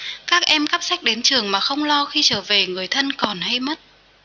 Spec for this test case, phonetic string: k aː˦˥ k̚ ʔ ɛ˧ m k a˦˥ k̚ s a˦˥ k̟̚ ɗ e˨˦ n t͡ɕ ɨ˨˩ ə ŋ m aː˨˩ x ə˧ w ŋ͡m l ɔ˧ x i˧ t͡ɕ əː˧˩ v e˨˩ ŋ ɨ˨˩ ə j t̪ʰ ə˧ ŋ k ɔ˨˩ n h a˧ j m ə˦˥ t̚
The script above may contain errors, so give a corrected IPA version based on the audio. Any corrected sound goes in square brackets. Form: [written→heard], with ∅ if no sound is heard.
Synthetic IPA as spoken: k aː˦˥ k̚ ʔ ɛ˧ m k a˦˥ [k̚→p̚] s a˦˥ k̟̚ ɗ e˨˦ n t͡ɕ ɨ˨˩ ə ŋ m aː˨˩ x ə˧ w ŋ͡m l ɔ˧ x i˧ t͡ɕ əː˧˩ v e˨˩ ŋ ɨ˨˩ ə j t̪ʰ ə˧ [ŋ→n] k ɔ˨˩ n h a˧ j m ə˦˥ t̚